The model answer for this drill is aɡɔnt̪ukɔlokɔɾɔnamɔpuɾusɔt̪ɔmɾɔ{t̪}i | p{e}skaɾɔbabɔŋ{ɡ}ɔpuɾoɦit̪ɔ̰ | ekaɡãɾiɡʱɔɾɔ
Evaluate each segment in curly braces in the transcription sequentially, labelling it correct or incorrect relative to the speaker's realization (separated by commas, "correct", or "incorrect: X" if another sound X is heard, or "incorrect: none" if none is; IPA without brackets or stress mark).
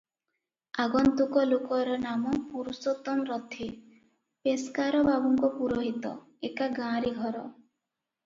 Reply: incorrect: t̪ʰ, correct, incorrect: k